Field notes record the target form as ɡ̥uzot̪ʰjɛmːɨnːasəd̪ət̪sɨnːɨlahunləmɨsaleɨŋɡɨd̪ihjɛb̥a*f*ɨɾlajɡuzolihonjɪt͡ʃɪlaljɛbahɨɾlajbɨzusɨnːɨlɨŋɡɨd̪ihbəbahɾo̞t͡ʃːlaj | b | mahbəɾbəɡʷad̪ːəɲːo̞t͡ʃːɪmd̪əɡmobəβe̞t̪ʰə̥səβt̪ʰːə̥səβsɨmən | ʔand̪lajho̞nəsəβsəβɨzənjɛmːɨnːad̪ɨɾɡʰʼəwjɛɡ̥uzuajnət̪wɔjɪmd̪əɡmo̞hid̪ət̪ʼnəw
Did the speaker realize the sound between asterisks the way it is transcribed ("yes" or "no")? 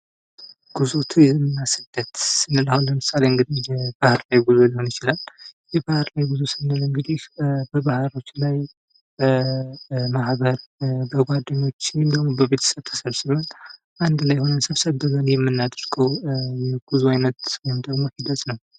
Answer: no